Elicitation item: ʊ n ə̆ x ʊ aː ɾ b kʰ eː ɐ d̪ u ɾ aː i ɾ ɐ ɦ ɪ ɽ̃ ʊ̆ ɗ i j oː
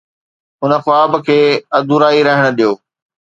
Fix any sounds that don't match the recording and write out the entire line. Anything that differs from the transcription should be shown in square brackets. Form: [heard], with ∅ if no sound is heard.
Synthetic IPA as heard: ʊ n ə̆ x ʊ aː [∅] b kʰ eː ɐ d̪ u ɾ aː i ɾ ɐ ɦ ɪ ɽ̃ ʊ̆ ɗ i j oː